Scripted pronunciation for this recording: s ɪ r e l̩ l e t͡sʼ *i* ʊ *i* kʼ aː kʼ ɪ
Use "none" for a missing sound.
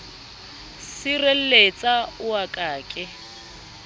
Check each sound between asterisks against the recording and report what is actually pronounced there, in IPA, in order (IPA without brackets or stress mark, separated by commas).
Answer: a, a